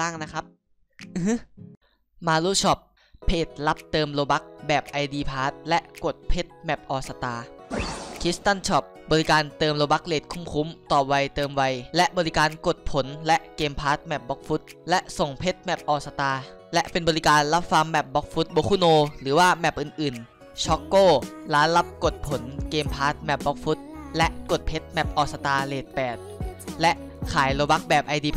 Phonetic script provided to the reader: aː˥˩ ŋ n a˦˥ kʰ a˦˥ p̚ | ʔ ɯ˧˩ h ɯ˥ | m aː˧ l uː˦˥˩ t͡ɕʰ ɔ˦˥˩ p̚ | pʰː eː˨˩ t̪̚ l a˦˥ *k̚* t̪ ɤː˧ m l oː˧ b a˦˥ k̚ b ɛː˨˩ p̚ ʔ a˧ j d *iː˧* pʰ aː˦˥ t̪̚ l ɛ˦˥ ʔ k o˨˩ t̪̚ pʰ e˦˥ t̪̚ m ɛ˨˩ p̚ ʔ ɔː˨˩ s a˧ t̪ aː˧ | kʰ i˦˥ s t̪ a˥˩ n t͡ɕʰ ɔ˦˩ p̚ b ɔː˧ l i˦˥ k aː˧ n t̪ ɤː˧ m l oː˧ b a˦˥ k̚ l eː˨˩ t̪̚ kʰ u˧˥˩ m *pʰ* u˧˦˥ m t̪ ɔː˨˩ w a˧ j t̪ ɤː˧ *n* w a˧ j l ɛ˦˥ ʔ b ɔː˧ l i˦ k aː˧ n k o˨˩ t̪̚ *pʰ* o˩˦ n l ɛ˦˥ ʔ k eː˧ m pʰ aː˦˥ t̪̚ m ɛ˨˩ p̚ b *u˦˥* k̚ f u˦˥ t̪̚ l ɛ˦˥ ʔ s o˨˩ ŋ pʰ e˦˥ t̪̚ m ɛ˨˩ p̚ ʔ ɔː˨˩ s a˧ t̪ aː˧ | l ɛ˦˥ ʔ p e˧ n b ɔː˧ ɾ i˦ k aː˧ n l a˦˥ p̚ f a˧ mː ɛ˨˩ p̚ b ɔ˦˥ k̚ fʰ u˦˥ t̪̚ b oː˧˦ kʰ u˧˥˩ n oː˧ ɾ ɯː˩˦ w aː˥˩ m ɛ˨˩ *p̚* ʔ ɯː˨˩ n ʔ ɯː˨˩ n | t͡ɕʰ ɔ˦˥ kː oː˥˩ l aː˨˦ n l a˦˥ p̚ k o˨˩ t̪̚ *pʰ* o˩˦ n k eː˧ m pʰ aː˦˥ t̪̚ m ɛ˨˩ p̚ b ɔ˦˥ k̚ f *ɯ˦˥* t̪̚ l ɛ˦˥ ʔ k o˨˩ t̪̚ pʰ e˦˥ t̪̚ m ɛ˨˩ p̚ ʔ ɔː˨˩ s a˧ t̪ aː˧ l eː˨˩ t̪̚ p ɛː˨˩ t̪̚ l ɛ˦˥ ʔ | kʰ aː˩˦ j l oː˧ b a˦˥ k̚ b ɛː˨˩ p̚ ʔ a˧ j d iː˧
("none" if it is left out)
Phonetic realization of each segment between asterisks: p̚, iː˧, kʰ, m, pʰ, ɔ˦˥, p̚, pʰ, u˦˥

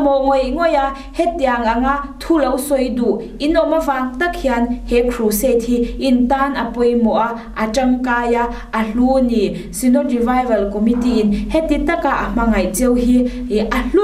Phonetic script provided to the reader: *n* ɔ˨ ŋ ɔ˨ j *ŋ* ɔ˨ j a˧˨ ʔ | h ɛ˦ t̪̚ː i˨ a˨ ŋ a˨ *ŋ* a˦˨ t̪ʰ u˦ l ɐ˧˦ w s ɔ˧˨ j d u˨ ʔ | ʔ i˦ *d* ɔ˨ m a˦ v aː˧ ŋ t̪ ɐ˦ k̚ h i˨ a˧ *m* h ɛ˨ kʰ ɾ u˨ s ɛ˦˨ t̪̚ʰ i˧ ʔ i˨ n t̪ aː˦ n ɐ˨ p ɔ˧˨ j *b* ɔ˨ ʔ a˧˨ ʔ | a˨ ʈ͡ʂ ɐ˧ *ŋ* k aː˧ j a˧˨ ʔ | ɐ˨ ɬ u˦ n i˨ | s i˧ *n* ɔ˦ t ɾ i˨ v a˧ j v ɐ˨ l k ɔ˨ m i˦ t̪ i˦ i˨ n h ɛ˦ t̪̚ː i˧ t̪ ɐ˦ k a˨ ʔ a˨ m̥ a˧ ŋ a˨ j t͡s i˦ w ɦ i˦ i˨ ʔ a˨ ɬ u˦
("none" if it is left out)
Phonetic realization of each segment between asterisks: m, ŋ, ŋ, n, n, m, ŋ, n

